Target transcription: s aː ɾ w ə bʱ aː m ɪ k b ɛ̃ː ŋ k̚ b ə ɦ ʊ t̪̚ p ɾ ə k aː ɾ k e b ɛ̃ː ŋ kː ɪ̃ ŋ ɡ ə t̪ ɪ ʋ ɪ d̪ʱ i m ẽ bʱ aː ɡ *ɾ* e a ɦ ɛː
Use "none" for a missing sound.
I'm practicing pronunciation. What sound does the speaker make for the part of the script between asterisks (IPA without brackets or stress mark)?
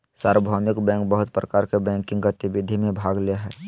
l